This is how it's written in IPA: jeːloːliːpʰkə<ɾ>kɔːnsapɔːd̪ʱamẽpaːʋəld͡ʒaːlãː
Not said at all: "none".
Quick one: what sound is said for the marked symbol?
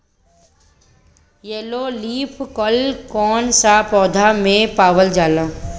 l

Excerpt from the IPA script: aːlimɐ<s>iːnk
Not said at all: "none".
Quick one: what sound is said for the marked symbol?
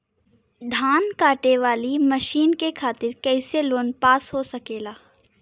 ʃ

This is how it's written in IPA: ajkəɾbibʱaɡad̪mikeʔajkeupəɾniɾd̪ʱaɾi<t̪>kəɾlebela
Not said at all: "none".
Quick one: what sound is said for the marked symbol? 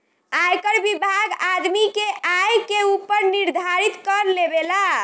t̪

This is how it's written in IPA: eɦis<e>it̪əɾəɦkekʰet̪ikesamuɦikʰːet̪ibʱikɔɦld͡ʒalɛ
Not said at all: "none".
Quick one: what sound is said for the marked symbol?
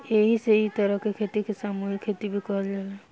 e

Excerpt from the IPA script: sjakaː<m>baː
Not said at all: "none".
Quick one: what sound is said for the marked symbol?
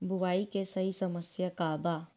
none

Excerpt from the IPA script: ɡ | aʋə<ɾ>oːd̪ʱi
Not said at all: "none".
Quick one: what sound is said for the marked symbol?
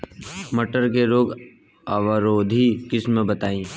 ɾ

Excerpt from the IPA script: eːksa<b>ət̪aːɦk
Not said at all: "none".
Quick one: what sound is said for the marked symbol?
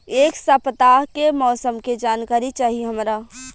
p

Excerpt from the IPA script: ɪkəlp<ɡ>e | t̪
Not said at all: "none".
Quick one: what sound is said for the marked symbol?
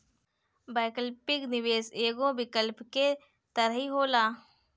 k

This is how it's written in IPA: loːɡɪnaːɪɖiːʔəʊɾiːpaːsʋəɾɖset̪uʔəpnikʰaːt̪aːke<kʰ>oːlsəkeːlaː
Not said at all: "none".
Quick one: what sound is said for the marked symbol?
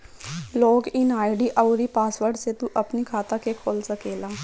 kʰ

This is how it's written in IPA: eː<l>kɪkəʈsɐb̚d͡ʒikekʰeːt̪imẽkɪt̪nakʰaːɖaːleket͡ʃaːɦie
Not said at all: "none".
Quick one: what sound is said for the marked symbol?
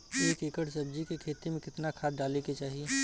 none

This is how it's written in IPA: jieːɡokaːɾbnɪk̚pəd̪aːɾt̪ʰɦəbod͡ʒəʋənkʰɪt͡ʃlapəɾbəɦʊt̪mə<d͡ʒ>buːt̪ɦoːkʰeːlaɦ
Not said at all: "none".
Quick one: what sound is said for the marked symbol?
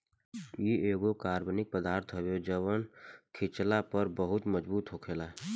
d͡ʒ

